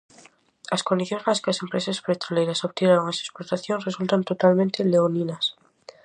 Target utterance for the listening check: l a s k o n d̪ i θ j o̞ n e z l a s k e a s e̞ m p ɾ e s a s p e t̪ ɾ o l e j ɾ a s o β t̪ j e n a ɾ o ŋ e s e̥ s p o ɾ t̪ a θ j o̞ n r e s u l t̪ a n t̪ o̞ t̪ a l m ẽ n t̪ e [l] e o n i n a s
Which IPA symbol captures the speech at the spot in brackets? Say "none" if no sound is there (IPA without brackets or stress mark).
l